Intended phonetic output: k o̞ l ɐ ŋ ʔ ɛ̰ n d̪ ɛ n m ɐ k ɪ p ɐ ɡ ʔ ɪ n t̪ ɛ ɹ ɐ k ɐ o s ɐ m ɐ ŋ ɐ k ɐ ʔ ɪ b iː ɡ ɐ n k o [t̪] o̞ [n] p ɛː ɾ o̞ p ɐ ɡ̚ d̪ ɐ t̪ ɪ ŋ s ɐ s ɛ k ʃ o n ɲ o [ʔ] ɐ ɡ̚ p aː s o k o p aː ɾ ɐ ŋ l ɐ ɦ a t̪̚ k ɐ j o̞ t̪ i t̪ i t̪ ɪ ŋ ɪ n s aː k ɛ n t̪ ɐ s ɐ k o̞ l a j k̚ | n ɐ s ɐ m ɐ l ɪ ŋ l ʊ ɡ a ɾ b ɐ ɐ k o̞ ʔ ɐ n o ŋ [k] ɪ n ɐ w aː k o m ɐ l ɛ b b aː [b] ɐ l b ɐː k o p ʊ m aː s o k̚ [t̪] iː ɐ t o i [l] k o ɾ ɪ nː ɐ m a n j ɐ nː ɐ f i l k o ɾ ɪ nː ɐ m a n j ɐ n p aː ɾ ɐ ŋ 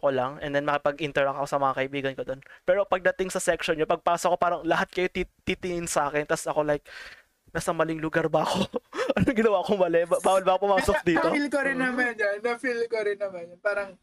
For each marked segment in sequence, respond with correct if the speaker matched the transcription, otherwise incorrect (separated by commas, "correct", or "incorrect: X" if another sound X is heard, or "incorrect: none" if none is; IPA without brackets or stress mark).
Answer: incorrect: d̪, correct, incorrect: p, incorrect: ɡ, incorrect: w, incorrect: d̪, correct